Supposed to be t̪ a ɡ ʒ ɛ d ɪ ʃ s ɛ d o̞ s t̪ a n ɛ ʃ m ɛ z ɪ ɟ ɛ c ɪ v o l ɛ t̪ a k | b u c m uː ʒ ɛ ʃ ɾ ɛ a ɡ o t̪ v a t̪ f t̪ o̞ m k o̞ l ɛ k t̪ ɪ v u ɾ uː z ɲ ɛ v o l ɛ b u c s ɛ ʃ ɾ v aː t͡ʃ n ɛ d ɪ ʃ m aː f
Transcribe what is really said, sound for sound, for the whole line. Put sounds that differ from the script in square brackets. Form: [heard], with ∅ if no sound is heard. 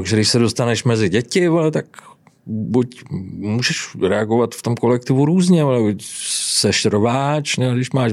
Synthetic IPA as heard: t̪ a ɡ ʒ ɛ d ɪ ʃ s ɛ d o̞ s t̪ a n ɛ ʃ m ɛ z ɪ ɟ ɛ c ɪ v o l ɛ t̪ a k | b u c m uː ʒ ɛ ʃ ɾ ɛ a ɡ o [∅] v a t̪ f t̪ o̞ m k o̞ l ɛ k t̪ ɪ v u ɾ uː z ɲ ɛ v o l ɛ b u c s ɛ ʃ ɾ v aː t͡ʃ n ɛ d ɪ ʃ m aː [ʃ]